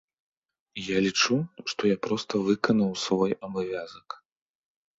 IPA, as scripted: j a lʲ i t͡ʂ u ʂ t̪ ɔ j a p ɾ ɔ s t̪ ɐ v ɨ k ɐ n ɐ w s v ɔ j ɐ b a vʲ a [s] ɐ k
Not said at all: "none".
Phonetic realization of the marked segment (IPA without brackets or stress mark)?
z